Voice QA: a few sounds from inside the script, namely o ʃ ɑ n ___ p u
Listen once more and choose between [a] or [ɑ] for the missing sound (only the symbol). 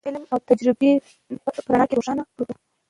a